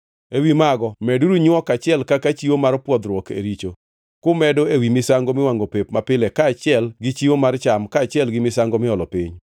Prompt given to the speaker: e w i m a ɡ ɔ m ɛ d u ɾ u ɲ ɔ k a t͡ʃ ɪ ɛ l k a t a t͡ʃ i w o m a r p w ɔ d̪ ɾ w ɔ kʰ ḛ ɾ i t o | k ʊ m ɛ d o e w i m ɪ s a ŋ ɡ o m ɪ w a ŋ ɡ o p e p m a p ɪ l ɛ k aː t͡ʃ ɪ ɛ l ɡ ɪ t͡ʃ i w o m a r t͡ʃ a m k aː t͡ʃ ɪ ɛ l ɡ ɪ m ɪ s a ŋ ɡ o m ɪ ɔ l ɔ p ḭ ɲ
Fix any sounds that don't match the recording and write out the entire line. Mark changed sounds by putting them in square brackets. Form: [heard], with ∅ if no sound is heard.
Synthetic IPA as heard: e w i m a ɡ ɔ m ɛ d u ɾ u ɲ ɔ k a t͡ʃ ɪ ɛ l k a [k] a t͡ʃ i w o m a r p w ɔ d̪ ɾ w ɔ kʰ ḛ ɾ i [t͡ʃ] o | k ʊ m ɛ d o e w i m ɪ s a ŋ ɡ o m ɪ w a ŋ ɡ o p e p m a p ɪ l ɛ k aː t͡ʃ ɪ ɛ l ɡ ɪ t͡ʃ i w o m a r t͡ʃ a m k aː t͡ʃ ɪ ɛ l ɡ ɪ m ɪ s a ŋ ɡ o m ɪ ɔ l ɔ p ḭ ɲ